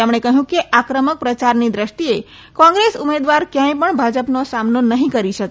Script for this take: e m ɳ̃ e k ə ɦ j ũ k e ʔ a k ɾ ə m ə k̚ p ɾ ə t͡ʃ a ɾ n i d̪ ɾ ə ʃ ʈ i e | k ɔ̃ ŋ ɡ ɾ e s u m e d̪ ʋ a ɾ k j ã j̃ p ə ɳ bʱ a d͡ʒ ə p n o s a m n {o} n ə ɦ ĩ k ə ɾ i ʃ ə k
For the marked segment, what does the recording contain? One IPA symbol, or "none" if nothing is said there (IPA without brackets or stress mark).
o